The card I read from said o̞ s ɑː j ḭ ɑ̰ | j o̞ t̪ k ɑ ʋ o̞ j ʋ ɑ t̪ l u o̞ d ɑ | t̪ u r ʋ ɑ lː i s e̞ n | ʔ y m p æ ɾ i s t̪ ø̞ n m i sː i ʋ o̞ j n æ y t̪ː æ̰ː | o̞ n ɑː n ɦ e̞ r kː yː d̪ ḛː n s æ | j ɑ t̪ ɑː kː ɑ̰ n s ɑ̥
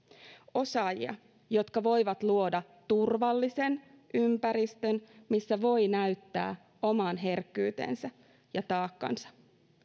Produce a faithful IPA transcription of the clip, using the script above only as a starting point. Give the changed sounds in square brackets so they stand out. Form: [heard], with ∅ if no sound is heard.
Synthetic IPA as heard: o̞ s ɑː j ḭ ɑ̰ | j o̞ t̪ k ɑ ʋ o̞ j ʋ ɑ t̪ l u o̞ d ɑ | t̪ u r ʋ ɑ lː i s e̞ n | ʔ y m p æ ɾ i s t̪ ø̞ n m i sː [æ] ʋ o̞ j n æ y t̪ː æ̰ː | o̞ [m] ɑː n ɦ e̞ r kː yː [t̪] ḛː n s æ | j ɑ t̪ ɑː kː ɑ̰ n s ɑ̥